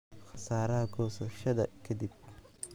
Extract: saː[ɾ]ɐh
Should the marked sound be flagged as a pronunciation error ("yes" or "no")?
no